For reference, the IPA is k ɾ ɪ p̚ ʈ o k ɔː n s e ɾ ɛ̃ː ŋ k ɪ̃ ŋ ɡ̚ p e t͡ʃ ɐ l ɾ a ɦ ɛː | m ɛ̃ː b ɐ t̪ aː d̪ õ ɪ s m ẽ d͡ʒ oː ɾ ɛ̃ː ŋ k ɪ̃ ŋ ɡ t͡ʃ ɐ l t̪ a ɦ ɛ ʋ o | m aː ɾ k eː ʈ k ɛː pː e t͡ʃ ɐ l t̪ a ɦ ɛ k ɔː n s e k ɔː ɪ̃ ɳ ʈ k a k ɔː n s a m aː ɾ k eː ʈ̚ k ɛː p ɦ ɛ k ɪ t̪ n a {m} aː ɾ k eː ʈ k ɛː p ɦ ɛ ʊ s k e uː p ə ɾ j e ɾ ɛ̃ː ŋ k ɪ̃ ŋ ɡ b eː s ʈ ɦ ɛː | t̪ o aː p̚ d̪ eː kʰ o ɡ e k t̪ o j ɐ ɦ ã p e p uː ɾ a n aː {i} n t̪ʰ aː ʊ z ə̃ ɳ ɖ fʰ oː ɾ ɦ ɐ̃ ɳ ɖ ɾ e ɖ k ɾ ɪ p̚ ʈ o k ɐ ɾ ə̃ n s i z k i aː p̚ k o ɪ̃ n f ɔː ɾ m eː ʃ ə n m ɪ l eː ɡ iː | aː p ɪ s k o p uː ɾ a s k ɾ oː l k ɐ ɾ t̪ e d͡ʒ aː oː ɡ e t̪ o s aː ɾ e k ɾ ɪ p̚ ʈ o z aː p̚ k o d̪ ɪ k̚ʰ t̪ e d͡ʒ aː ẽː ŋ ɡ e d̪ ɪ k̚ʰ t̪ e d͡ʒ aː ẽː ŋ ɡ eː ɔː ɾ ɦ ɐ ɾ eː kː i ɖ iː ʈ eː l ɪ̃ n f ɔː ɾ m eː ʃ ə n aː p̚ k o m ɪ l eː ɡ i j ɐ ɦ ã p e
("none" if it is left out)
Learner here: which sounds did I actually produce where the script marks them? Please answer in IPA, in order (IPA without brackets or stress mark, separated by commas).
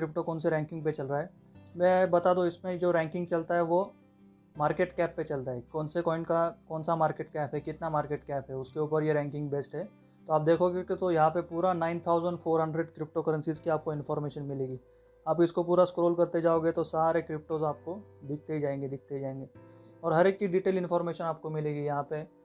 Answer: m, ɪ